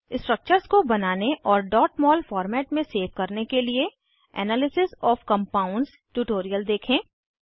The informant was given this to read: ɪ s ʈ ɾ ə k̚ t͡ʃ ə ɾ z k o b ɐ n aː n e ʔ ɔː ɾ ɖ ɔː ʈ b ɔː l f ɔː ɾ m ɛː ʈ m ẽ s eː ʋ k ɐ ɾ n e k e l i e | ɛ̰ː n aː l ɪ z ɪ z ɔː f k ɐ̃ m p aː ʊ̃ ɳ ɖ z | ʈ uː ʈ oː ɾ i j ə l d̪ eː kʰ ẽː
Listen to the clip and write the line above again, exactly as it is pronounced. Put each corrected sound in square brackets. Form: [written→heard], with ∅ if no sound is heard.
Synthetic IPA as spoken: ɪ s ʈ ɾ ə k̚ t͡ʃ ə ɾ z k o b ɐ n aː n e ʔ ɔː ɾ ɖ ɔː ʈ [b→m] ɔː l f ɔː ɾ m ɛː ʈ m ẽ s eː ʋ k ɐ ɾ n e k e l i e | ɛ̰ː n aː l ɪ [z→s] ɪ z ɔː f k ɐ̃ m p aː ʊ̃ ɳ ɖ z | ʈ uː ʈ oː ɾ i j ə l d̪ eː kʰ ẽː